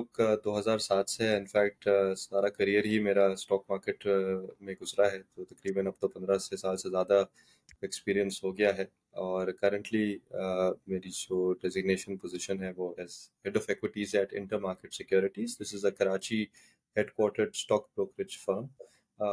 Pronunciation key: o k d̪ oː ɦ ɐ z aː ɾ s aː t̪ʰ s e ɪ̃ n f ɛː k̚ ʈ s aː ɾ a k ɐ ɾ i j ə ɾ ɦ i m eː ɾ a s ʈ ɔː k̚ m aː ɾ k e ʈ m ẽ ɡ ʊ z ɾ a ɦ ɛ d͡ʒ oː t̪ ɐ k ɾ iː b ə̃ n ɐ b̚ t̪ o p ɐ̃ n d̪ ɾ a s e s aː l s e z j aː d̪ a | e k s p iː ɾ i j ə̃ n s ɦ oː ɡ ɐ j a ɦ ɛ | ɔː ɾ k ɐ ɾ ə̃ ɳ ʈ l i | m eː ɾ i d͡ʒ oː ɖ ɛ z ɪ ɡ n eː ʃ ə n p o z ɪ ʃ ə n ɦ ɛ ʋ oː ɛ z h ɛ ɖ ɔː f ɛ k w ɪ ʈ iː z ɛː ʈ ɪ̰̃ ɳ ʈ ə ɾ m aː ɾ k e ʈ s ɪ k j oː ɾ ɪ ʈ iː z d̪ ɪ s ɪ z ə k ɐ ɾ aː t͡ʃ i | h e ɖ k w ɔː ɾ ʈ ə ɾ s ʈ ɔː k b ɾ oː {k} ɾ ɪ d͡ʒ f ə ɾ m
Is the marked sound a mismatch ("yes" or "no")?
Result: no